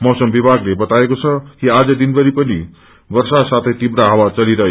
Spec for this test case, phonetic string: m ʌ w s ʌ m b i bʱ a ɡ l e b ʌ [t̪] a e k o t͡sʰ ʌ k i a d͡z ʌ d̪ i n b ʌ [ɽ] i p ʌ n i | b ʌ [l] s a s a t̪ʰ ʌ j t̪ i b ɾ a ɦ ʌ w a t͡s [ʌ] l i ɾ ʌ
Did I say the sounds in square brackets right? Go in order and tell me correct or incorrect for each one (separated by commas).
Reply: correct, incorrect, incorrect, correct